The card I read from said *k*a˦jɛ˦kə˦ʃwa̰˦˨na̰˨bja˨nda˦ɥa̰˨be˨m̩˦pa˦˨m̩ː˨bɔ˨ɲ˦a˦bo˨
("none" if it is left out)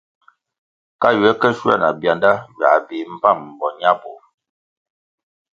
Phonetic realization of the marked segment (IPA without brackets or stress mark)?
k